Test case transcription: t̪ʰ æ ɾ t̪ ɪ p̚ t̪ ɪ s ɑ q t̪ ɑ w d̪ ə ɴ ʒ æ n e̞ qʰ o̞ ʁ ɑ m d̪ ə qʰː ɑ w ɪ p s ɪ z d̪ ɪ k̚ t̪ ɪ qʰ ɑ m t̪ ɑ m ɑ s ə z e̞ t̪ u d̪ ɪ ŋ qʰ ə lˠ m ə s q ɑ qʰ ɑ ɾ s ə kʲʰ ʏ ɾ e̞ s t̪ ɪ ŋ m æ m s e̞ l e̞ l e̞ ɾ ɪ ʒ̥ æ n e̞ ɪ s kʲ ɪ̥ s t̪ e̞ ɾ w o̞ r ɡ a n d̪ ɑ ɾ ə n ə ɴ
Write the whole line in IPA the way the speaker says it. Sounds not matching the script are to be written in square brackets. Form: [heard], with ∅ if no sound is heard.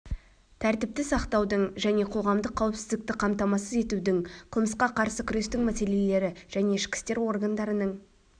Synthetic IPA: t̪ʰ æ ɾ t̪ ɪ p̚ t̪ ɪ s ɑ q t̪ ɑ w d̪ ə ɴ ʒ æ n e̞ qʰ o̞ ʁ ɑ m d̪ ə qʰː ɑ w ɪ p s ɪ z d̪ ɪ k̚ t̪ ɪ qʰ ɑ m t̪ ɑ m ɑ s ə z e̞ t̪ u d̪ ɪ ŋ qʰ ə lˠ m ə s q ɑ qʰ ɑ ɾ s ə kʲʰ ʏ ɾ e̞ s t̪ ɪ ŋ m æ [∅] s e̞ l e̞ l e̞ ɾ ɪ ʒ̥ æ n e̞ ɪ [ʃ] kʲ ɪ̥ s t̪ e̞ ɾ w o̞ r ɡ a n d̪ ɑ ɾ ə n ə ɴ

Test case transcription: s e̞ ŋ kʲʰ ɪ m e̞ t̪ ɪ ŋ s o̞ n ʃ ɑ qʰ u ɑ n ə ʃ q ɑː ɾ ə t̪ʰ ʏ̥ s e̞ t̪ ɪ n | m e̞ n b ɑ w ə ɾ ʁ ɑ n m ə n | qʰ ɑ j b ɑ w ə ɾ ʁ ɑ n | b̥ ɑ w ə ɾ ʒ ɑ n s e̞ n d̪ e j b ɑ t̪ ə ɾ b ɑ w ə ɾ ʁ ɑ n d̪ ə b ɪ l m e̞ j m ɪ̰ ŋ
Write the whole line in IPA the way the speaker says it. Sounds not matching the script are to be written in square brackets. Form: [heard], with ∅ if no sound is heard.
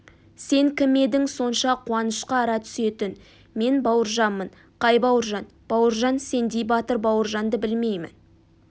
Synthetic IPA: s e̞ ŋ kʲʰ ɪ m e̞ [d̪] ɪ ŋ s o̞ n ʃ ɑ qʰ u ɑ n ə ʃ q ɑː ɾ [ɑ] t̪ʰ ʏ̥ s e̞ t̪ ɪ n | m e̞ n b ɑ w ə ɾ [ʒ] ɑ n m ə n | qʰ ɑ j b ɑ w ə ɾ [ʒ] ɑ n | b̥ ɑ w ə ɾ ʒ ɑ n s e̞ n d̪ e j b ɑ t̪ ə ɾ b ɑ w ə ɾ [ʒ] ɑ n d̪ ə b ɪ l m e̞ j m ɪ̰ [n]

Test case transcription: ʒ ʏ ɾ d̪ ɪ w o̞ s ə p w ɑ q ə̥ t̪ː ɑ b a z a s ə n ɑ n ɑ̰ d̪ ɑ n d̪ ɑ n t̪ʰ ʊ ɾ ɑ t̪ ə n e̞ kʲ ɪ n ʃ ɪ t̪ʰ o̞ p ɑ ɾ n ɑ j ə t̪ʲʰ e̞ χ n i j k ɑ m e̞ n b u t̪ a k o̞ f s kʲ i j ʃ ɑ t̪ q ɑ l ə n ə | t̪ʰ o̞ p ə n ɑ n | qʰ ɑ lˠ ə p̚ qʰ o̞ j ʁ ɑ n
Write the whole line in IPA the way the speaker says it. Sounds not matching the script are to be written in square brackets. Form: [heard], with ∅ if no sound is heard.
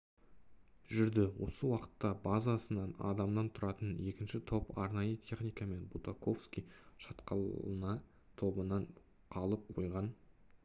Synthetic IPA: ʒ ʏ ɾ d̪ ɪ w o̞ s ə [∅] w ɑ q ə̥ t̪ː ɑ b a z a s ə n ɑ n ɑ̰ d̪ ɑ [m] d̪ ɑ n t̪ʰ ʊ ɾ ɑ t̪ ə n e̞ kʲ ɪ n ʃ ɪ t̪ʰ o̞ p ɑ ɾ n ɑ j ə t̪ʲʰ e̞ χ n i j k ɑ m e̞ n b u t̪ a k o̞ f s kʲ i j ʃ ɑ t̪ q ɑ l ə n [ɑ] | t̪ʰ o̞ [b] ə n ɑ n | qʰ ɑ lˠ ə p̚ qʰ o̞ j ʁ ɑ n

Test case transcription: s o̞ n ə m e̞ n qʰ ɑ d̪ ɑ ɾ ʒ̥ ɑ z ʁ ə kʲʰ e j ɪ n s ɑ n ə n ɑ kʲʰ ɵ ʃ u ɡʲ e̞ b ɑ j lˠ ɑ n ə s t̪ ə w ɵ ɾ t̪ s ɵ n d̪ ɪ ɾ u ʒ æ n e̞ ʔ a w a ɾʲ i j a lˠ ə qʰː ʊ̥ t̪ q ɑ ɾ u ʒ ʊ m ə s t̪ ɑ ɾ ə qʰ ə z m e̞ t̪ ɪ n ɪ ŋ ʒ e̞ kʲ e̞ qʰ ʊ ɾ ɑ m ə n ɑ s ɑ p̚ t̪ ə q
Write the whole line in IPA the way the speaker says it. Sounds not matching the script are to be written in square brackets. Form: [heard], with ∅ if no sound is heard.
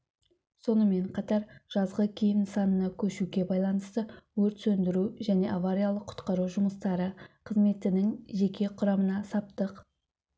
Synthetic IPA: s o̞ n ə m e̞ [ɴ] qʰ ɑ [t̪] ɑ ɾ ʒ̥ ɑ z ʁ ə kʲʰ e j ɪ n s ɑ n ə n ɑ kʲʰ ɵ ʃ u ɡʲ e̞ b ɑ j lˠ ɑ n ə s t̪ ə w ɵ ɾ t̪ s ɵ n d̪ ɪ ɾ u ʒ æ n e̞ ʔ a [v] a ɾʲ i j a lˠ ə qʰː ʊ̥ t̪ q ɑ ɾ u ʒ ʊ m ə s t̪ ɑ ɾ ə qʰ ə z m e̞ t̪ ɪ n ɪ ŋ ʒ e̞ kʲ e̞ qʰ ʊ ɾ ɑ m ə n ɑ s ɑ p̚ t̪ ə q

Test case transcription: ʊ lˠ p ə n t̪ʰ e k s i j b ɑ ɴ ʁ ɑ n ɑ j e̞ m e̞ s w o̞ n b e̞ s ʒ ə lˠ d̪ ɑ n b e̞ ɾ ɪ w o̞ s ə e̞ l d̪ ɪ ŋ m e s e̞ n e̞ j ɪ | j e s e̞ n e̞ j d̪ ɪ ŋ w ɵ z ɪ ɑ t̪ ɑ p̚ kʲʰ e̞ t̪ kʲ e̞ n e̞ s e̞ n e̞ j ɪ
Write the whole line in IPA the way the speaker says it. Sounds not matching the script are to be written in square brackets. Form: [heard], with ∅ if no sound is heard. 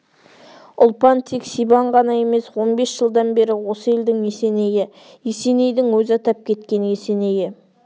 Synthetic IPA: ʊ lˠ p [ɑ] n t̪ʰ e k s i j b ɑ ɴ ʁ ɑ n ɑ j e̞ m e̞ s w o̞ n b e̞ s ʒ ə lˠ d̪ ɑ n b e̞ ɾ ɪ w o̞ s ə e̞ l d̪ ɪ ŋ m e s e̞ n e̞ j ɪ | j e s e̞ n e̞ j d̪ ɪ ŋ w ɵ z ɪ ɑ t̪ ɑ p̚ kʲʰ e̞ t̪ kʲ e̞ n e̞ s e̞ n e̞ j ɪ

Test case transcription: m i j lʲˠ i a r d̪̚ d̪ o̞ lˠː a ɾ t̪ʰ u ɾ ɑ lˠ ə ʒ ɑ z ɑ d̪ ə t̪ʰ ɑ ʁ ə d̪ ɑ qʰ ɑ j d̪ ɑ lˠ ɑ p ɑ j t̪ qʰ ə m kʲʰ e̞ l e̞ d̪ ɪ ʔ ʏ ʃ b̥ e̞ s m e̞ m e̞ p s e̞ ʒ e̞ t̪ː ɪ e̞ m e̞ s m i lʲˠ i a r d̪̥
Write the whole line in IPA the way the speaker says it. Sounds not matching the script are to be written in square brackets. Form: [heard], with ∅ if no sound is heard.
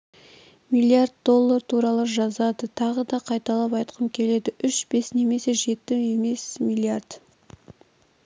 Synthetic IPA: m i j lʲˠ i a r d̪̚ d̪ o̞ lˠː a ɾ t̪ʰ u ɾ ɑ lˠ ə ʒ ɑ z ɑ d̪ ə t̪ʰ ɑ ʁ ə d̪ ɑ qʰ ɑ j [t̪] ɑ lˠ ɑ p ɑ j t̪ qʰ ə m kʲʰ e̞ l e̞ d̪ ɪ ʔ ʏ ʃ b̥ e̞ s [n] e̞ m e̞ [∅] s e̞ ʒ e̞ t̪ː ɪ e̞ m e̞ s m i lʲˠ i a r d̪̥

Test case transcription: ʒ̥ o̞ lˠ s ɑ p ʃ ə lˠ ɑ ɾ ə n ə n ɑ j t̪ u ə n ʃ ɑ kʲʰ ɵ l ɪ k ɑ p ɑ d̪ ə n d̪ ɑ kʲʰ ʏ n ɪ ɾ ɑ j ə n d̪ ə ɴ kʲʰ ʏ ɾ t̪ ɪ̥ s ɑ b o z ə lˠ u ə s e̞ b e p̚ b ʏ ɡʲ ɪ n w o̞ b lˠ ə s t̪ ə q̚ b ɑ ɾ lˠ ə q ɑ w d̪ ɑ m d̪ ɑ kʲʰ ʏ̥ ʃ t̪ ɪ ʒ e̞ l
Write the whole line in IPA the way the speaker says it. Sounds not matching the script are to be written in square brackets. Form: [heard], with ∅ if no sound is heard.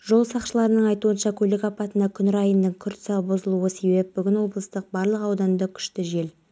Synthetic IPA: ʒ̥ o̞ lˠ s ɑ [q] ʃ ə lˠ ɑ ɾ ə n ə [ɴ] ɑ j t̪ u ə n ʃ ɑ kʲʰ ɵ l ɪ k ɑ p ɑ [t̪] ə n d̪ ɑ kʲʰ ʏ n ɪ ɾ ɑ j ə n d̪ ə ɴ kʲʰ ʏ ɾ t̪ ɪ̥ s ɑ b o z ə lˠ u ə s e̞ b e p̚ b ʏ ɡʲ ɪ n w o̞ b lˠ ə s t̪ ə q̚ b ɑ ɾ lˠ ə q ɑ w d̪ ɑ [n] d̪ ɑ kʲʰ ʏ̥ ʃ t̪ ɪ ʒ e̞ l

